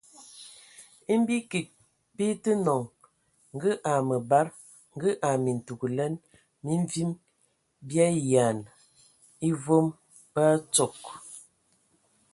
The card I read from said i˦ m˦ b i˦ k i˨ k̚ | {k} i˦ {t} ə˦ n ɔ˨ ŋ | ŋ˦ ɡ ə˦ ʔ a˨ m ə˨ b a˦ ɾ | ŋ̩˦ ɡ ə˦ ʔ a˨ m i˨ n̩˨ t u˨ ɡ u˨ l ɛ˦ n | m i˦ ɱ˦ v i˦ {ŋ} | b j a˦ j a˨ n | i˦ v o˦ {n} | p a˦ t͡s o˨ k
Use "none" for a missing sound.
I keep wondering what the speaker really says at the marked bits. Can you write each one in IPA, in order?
p, t, m, m

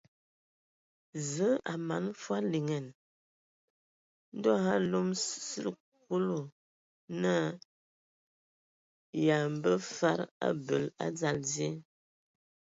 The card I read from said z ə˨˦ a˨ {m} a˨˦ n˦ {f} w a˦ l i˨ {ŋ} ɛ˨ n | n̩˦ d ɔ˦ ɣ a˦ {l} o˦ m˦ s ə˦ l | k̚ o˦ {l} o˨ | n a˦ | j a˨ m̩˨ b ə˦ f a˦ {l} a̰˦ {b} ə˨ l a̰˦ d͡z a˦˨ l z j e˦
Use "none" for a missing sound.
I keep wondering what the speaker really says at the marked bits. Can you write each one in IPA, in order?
m, f, ŋ, l, l, ɾ, b

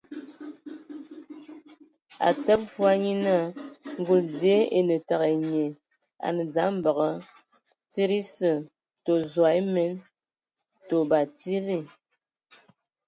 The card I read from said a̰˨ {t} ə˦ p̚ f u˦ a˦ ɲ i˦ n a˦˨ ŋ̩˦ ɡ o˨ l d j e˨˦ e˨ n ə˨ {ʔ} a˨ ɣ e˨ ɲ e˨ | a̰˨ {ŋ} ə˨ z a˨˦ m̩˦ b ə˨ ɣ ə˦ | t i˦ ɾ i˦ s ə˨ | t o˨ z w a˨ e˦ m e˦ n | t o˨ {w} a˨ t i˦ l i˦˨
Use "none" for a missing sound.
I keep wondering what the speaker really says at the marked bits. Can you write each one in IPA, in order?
t, t, n, b

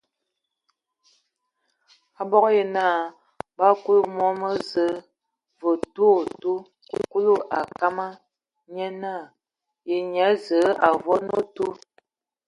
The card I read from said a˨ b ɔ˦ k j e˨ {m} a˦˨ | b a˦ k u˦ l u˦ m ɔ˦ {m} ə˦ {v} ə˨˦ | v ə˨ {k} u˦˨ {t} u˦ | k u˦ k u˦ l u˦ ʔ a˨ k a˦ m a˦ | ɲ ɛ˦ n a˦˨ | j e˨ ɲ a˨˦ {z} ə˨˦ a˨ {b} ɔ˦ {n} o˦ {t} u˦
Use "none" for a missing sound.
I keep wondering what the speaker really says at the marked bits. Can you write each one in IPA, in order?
n, m, z, t, t, z, v, n, t

